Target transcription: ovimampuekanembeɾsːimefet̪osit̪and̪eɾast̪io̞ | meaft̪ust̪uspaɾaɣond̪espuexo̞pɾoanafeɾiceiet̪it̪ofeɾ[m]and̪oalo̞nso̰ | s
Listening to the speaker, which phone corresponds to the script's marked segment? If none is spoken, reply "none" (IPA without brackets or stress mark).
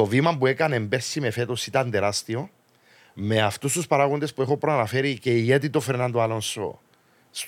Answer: n